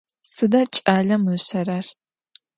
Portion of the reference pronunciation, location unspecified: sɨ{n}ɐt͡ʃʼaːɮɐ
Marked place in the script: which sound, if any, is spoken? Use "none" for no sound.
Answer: d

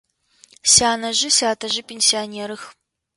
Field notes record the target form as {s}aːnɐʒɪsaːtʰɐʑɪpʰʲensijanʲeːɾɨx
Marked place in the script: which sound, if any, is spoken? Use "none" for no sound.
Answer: s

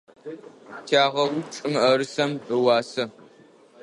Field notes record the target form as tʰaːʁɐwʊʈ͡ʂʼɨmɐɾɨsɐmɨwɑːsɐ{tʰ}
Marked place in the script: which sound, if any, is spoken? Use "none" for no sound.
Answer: none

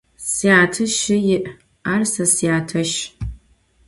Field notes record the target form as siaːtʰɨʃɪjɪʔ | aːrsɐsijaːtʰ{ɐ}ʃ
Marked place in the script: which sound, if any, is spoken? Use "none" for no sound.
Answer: ɐ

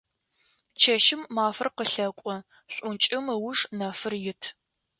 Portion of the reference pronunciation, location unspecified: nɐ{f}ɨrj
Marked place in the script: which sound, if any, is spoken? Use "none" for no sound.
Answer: f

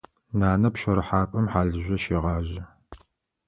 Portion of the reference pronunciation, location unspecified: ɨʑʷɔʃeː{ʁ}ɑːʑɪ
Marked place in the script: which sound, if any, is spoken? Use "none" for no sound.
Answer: ʁ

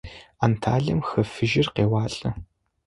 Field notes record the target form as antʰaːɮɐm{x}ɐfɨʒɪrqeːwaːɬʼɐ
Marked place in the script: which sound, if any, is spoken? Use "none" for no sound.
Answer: x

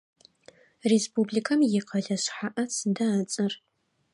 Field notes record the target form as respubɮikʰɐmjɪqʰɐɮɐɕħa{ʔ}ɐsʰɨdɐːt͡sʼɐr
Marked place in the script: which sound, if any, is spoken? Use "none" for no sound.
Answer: ʔ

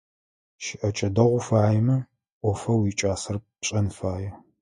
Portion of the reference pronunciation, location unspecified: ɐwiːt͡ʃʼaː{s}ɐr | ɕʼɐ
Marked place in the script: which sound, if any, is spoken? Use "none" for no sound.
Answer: s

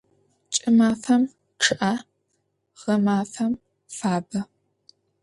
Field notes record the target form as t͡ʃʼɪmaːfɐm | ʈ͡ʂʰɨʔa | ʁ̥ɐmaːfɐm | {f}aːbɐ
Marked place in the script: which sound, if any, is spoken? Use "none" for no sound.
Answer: f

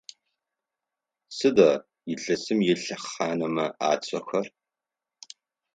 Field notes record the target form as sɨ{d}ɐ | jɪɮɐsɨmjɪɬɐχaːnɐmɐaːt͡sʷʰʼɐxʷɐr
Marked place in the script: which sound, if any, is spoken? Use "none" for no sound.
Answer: d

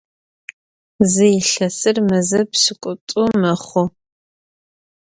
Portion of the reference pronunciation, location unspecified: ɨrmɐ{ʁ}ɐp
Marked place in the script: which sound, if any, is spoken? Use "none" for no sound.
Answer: z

